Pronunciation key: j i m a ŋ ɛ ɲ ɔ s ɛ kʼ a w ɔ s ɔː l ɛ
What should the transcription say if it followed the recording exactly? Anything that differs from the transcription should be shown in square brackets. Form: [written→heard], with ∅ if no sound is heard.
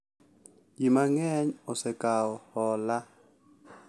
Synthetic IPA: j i m a ŋ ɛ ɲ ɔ s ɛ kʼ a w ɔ [s→h] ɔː l [ɛ→a]

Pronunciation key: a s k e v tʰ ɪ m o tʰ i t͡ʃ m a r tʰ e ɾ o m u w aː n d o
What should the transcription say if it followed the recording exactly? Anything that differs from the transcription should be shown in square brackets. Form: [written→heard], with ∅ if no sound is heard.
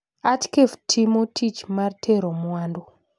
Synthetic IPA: a [s→t] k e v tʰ [ɪ→i] m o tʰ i t͡ʃ m a r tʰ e ɾ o m u w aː n d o

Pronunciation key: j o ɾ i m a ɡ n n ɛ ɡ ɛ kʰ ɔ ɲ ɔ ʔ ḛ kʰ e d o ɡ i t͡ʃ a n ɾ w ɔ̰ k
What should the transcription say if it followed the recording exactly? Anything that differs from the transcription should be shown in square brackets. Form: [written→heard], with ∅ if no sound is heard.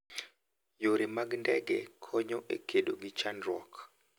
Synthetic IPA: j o ɾ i m a ɡ n [n→d] ɛ ɡ ɛ kʰ ɔ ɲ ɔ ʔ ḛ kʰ e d o ɡ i t͡ʃ a n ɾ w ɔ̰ k

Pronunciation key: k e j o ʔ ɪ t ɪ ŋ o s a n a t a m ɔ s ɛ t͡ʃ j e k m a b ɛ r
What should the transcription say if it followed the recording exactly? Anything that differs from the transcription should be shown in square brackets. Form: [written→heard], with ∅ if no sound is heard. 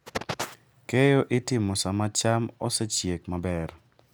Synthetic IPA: k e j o ʔ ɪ t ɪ [ŋ→m] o s a [n→m] a [t→t͡ʃ] a m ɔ s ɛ t͡ʃ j e k m a b ɛ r

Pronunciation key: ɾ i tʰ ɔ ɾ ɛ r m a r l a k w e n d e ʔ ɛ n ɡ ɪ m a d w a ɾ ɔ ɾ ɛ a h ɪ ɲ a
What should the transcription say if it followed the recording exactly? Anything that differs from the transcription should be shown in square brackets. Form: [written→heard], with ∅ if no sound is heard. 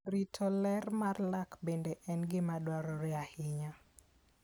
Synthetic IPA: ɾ i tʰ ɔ [ɾ→l] ɛ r m a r l a k [w→b] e n d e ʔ ɛ n ɡ ɪ m a d w a ɾ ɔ ɾ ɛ a h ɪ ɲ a

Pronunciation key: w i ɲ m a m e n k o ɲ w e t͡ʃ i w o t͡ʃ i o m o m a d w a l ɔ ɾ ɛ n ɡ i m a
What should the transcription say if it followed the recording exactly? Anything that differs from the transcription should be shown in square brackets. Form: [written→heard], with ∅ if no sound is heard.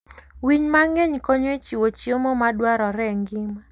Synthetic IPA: w i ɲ m a [m→ŋ] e [n→ɲ] k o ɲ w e t͡ʃ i w o t͡ʃ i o m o m a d w a [l→ɾ] ɔ ɾ ɛ [n→ŋ] ɡ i m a

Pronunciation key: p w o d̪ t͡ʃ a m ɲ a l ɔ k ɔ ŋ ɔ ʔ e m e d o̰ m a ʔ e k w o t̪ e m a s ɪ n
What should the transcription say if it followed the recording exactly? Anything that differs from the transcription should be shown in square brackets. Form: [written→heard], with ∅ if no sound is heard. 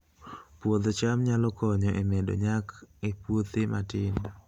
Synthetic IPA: p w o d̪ t͡ʃ a m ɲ a l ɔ k ɔ [ŋ→ɲ] ɔ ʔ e m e d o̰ [m→ɲ] a [ʔ→k] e [k→p] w o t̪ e m a [s→t] ɪ n

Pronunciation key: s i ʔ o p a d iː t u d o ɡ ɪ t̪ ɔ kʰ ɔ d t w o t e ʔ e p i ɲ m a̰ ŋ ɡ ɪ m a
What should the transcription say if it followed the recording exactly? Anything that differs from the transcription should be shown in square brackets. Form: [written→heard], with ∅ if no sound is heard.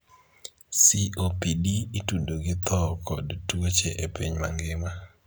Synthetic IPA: s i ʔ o p [a→i] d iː t u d o ɡ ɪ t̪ ɔ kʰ ɔ d t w o [t→t͡ʃ] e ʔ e p i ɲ m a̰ ŋ ɡ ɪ m a

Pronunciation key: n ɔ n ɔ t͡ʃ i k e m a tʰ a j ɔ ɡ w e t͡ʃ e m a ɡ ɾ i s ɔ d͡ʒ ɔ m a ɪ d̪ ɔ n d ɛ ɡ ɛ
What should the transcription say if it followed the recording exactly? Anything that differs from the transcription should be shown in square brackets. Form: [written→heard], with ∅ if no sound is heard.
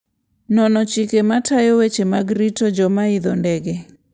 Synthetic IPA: n ɔ n ɔ t͡ʃ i k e m a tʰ a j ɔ [ɡ→∅] w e t͡ʃ e m a ɡ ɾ i [s→t] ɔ d͡ʒ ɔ m a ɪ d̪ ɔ n d ɛ ɡ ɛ

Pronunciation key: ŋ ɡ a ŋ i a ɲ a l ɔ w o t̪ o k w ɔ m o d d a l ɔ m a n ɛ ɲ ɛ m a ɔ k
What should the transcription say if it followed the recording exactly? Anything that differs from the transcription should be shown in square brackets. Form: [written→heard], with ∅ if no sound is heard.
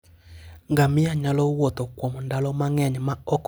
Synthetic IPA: ŋ ɡ a [ŋ→m] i a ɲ a l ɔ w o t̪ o k w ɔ m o [d→n] d a l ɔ m a [n→ŋ] ɛ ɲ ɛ m a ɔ k

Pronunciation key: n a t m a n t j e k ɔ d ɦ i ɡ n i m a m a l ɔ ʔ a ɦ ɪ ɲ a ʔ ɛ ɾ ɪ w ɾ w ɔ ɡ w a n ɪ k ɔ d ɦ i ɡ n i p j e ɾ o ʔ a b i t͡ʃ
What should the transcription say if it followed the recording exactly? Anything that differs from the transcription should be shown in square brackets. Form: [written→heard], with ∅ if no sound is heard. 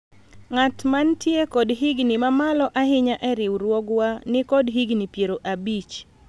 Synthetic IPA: [n→ŋ] a t m a n t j e k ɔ d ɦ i ɡ n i m a m a l ɔ ʔ a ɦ ɪ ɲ a ʔ ɛ ɾ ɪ w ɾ w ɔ ɡ w a n ɪ k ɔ d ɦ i ɡ n i p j e ɾ o ʔ a b i t͡ʃ

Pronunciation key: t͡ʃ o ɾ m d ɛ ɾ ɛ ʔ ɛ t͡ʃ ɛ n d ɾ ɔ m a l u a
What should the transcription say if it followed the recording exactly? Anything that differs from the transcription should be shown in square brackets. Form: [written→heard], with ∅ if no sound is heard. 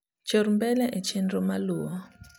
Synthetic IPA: t͡ʃ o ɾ m [d→b] ɛ [ɾ→l] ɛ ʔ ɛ t͡ʃ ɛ n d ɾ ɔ m a l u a

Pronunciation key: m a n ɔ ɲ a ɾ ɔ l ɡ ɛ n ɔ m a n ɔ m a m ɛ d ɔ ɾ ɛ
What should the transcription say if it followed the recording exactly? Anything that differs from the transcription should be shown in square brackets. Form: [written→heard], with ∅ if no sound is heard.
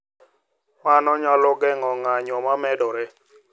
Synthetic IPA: m a n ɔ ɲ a [ɾ→l] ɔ [l→∅] ɡ ɛ [n→ŋ] ɔ [m→ŋ] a [n→ɲ] ɔ m a m ɛ d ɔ ɾ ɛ

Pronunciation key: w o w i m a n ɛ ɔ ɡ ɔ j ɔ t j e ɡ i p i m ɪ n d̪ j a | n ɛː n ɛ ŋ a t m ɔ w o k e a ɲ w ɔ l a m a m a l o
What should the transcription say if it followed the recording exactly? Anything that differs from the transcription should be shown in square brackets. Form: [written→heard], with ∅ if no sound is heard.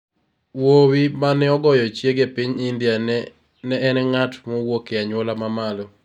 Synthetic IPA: w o w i m a n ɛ ɔ ɡ ɔ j ɔ [t→t͡ʃ] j e ɡ [i→e] p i [m→ɲ] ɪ n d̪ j a | n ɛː n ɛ ŋ a t m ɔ w o k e a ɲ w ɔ l a m a m a l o

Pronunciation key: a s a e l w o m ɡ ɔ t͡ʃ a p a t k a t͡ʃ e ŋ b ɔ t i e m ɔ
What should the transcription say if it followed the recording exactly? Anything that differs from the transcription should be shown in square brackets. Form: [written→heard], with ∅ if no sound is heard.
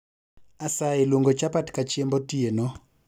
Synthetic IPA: a s a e l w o [m→ŋ] ɡ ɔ t͡ʃ a p a t k a t͡ʃ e [ŋ→m] b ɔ t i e [m→n] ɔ

